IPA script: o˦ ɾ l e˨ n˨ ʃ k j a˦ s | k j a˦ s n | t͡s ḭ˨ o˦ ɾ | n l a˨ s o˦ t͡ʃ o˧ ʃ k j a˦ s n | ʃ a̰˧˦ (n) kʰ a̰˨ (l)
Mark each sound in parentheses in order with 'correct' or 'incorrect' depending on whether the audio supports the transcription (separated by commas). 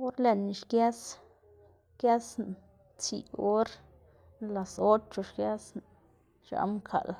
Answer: incorrect, correct